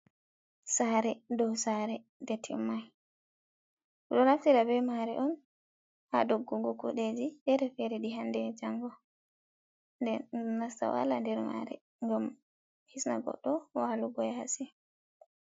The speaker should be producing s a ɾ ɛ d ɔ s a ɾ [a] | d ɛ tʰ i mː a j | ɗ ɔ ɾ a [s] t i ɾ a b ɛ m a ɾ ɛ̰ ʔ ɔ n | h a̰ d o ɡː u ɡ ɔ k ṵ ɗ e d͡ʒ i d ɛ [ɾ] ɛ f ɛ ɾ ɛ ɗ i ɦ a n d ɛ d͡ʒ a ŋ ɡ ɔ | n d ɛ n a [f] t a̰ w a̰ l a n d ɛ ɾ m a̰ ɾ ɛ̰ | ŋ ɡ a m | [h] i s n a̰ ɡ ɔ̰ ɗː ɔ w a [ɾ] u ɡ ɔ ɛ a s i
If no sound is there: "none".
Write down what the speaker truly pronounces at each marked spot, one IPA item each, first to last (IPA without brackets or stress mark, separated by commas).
ɛ, f, ɾ, s, h, l